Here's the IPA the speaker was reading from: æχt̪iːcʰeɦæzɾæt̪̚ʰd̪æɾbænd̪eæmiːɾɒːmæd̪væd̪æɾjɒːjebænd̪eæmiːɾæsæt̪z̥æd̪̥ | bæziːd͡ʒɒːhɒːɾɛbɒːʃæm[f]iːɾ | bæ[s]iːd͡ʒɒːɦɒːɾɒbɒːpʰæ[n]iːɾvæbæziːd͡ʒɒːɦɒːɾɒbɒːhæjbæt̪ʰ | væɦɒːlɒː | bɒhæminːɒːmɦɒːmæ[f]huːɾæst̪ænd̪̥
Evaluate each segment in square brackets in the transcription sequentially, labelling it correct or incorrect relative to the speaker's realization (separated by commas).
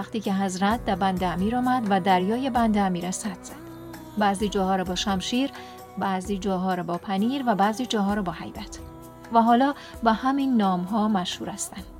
incorrect, incorrect, correct, incorrect